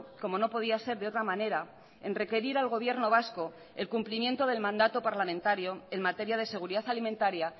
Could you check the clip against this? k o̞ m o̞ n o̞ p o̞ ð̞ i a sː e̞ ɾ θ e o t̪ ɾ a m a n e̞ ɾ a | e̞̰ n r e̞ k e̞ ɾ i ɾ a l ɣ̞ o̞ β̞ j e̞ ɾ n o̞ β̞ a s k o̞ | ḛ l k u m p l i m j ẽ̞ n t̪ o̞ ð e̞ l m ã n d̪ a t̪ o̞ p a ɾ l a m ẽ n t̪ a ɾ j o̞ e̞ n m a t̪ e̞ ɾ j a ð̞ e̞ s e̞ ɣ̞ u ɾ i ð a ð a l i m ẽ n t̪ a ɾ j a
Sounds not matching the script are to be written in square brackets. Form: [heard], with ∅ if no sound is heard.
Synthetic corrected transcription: k o̞ m o̞ n o̞ p o̞ ð̞ i a [s] e̞ ɾ [ð] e o t̪ ɾ a m a n e̞ ɾ a | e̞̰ n r e̞ k e̞ ɾ i ɾ a l ɣ̞ o̞ β̞ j e̞ ɾ n o̞ β̞ a s k o̞ | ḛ l k u m p l i m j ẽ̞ n t̪ o̞ ð e̞ l m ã n d̪ a t̪ o̞ p a ɾ l a m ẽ n t̪ a ɾ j o̞ e̞ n m a t̪ e̞ ɾ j a ð̞ e̞ s e̞ ɣ̞ u ɾ i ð a [θ] a l i m ẽ n t̪ a ɾ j a